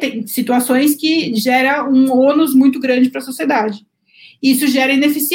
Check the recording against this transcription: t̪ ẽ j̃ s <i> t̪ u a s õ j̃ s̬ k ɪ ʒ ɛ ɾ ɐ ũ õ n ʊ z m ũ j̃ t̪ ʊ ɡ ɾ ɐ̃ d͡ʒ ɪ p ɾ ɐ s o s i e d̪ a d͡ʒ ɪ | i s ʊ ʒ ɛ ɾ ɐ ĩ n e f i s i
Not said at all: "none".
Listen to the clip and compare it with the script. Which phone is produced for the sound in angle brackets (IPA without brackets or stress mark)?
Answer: i